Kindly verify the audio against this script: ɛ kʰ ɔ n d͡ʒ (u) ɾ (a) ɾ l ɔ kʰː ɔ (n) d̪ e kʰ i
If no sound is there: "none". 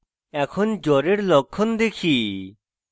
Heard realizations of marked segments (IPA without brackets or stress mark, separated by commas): ɔ, e, n